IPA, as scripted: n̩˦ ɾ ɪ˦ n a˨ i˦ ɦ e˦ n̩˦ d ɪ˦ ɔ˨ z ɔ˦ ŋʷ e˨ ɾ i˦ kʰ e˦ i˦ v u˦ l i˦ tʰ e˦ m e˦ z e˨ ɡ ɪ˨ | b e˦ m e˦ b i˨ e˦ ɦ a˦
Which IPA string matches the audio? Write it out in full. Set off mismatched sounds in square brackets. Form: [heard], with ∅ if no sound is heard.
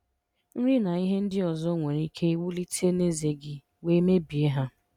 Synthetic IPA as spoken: n̩˦ ɾ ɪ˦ n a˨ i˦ ɦ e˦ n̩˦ d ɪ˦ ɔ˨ z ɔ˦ ŋʷ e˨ ɾ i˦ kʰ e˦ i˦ [w] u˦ l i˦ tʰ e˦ [n] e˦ z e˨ ɡ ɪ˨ | [w] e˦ m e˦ b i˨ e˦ ɦ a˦